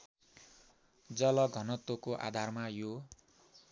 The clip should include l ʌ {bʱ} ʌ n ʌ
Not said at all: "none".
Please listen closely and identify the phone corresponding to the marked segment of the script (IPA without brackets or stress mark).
ɡʱ